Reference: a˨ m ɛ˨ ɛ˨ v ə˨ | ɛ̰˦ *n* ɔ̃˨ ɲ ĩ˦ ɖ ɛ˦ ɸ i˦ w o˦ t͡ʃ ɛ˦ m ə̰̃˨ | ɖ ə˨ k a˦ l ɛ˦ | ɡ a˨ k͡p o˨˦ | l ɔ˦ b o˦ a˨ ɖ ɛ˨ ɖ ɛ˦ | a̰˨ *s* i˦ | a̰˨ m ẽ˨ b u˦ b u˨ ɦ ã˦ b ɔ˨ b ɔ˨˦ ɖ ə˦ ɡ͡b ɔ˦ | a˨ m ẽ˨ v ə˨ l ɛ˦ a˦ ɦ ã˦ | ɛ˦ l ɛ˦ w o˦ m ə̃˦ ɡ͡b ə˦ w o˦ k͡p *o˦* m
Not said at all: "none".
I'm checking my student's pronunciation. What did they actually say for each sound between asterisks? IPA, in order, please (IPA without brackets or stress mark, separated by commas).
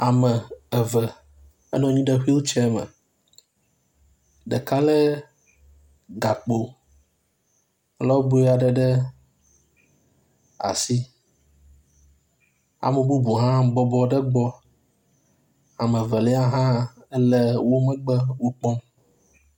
n, s, ɔ˦